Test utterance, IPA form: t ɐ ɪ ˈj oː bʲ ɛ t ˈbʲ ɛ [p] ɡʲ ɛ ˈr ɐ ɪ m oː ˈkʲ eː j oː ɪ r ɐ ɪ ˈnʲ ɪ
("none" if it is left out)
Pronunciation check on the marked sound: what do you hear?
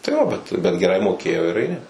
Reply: t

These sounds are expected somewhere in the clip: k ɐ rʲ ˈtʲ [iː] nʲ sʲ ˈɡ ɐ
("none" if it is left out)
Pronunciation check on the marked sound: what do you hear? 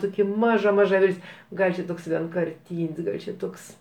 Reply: iː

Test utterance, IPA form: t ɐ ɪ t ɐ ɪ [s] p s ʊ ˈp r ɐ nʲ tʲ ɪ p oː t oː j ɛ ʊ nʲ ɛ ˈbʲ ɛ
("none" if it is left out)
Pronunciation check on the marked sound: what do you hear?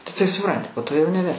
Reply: none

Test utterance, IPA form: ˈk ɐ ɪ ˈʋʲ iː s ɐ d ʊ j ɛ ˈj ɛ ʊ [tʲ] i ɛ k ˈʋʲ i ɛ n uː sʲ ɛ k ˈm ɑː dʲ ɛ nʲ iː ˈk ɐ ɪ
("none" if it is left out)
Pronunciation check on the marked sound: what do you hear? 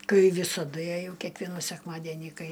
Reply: kʲ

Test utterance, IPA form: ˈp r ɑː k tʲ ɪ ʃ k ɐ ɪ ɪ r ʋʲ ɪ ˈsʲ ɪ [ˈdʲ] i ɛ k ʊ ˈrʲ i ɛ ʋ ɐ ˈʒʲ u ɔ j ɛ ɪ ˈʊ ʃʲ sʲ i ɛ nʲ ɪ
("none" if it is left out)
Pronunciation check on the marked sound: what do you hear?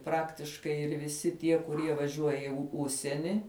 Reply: tʲ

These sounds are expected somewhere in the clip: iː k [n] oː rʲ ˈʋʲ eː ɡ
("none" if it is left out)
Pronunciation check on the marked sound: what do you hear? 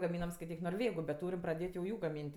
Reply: n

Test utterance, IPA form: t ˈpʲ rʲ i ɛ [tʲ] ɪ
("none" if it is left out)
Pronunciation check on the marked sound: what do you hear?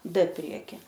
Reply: kʲ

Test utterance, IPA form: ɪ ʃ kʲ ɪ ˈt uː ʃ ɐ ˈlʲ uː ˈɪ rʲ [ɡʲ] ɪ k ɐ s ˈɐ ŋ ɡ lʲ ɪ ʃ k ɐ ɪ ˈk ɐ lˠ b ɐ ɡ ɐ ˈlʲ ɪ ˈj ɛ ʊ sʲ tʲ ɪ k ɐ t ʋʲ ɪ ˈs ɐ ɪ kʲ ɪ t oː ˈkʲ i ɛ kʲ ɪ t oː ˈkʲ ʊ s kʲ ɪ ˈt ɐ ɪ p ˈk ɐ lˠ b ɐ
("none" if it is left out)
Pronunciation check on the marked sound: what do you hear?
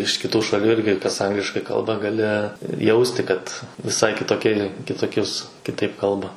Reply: ɡʲ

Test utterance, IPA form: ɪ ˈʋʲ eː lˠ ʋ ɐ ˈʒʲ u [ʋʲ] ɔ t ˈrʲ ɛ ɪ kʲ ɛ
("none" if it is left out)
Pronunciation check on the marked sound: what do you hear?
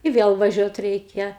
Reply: none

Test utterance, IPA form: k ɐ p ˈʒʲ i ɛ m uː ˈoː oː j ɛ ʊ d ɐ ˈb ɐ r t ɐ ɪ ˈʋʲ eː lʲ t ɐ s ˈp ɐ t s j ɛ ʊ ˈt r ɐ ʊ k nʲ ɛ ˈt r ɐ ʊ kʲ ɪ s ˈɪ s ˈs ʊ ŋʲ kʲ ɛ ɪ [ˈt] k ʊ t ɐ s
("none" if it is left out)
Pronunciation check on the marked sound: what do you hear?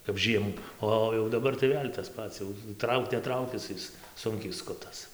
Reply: s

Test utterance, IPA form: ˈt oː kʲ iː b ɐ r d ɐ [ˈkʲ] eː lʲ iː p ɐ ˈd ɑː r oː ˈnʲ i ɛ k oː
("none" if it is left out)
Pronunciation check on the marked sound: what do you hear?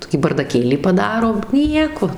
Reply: kʲ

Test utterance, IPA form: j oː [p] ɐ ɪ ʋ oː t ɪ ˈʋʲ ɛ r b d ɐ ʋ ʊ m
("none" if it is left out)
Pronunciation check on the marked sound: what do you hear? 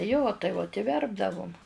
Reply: t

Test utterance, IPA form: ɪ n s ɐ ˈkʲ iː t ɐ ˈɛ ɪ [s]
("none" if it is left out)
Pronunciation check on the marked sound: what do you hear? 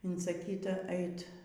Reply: t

